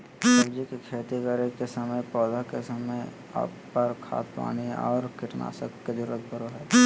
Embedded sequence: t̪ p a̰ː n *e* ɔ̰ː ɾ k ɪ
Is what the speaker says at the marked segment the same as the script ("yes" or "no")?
no